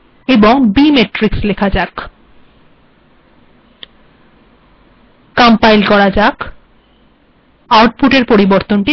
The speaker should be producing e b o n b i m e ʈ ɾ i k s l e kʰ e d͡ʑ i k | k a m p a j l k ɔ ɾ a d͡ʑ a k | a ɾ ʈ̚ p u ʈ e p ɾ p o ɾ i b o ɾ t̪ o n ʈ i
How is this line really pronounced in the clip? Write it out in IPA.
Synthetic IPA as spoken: e b o ŋ b i m e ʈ ɾ i k s l e kʰ a d͡ʑ a k | k a m p a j l k ɔ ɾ a d͡ʑ a k | a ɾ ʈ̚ p u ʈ e ɾ p o ɾ i b o ɾ t̪ o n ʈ i